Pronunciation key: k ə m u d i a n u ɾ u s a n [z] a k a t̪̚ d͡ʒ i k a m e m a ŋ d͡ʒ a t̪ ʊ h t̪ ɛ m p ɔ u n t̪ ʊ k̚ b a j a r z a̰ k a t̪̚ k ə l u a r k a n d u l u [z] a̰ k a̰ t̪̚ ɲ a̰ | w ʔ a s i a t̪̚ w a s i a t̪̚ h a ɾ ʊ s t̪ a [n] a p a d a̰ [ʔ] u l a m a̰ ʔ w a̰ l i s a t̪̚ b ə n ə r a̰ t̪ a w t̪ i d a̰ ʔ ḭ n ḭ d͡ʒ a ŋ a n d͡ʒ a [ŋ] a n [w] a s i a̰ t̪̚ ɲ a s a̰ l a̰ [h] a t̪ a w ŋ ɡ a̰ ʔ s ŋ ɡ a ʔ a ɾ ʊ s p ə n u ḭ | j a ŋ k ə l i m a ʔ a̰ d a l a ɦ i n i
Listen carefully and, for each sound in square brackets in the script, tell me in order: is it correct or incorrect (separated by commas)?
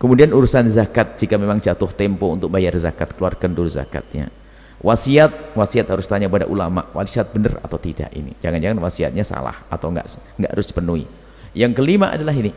correct, correct, incorrect, correct, correct, correct, correct